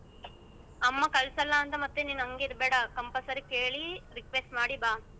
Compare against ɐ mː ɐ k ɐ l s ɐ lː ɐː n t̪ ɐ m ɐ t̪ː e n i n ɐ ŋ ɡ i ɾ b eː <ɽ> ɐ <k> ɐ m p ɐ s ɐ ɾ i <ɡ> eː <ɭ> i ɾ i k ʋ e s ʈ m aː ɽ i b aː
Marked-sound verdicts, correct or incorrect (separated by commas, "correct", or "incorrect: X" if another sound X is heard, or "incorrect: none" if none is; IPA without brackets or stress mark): correct, correct, incorrect: k, correct